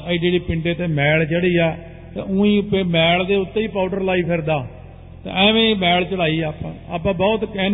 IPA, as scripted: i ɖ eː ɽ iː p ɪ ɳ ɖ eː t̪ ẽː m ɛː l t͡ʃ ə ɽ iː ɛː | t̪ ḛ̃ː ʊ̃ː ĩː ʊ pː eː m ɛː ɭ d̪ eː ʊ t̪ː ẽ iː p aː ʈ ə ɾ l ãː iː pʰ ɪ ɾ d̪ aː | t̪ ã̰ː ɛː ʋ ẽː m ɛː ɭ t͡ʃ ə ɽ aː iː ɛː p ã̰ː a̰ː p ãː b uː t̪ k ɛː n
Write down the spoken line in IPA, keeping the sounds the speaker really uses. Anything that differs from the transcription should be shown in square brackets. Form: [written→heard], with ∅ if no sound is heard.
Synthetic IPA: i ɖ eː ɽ iː p ɪ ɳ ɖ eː t̪ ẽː m ɛː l t͡ʃ ə ɽ iː ɛː | t̪ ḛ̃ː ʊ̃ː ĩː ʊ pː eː m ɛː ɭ d̪ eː ʊ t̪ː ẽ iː p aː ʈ ə ɾ l [ãː→aː] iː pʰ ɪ ɾ d̪ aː | t̪ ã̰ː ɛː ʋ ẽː m ɛː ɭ t͡ʃ ə ɽ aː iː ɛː p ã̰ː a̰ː p ãː b [uː→ɔː] t̪ k ɛː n